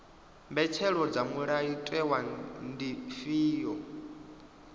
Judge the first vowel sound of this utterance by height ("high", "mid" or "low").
mid